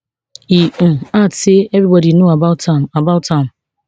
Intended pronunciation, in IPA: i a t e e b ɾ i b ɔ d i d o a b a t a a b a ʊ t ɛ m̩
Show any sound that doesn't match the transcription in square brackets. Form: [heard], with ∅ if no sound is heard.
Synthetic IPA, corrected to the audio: i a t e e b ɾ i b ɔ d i [n] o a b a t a a b a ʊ t [a] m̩